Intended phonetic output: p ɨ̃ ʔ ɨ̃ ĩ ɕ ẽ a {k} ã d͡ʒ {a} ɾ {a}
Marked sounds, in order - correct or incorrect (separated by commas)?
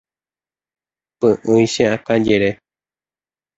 correct, incorrect, incorrect